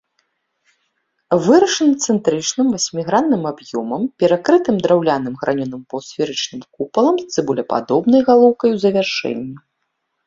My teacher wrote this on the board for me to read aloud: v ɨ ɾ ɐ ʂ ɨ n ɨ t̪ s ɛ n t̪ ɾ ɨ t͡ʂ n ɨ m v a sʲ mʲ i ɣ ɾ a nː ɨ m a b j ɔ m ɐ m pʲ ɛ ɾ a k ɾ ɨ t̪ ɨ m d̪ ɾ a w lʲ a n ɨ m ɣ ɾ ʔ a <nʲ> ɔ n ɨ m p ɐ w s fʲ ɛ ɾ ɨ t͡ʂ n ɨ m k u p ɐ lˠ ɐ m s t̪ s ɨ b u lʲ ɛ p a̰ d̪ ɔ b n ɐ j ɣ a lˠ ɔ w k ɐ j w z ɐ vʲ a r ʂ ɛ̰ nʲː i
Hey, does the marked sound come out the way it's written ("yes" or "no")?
yes